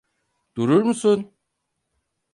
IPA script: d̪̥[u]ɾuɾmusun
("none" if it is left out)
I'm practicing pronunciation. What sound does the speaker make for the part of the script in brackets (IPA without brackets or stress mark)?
u